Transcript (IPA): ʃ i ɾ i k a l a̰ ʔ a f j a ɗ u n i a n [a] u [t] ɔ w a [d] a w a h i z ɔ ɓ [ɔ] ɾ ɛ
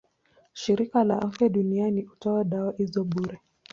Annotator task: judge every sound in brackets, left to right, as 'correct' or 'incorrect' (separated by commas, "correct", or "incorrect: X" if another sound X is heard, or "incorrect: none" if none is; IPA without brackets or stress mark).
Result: incorrect: i, correct, incorrect: ɗ, incorrect: u